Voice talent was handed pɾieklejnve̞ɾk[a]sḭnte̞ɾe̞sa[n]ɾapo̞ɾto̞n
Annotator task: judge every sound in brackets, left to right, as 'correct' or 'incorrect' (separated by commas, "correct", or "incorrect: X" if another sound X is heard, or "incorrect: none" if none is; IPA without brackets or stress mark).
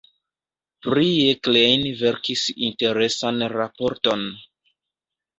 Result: incorrect: i, correct